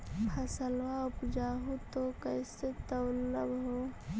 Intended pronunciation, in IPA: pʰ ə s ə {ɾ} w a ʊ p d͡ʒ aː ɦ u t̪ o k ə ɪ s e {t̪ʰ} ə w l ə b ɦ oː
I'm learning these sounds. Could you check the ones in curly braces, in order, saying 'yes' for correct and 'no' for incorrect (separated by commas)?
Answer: no, no